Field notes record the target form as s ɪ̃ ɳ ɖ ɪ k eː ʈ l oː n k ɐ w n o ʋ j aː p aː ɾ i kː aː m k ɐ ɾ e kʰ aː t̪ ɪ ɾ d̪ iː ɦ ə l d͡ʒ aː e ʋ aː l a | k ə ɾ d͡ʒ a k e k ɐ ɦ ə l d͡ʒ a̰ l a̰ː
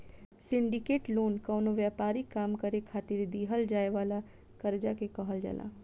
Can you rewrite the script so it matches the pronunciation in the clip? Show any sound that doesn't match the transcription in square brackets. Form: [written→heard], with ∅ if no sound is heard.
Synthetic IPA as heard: s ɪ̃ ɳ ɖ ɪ k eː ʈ l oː n k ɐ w n o ʋ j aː p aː ɾ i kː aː m k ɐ ɾ e kʰ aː t̪ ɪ ɾ d̪ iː ɦ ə l d͡ʒ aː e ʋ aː l a | k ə ɾ d͡ʒ a k e k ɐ ɦ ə l d͡ʒ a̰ l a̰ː